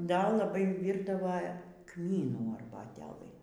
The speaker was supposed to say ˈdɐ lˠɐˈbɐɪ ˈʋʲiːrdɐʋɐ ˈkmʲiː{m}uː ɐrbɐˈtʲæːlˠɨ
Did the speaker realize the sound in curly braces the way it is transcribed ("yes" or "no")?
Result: no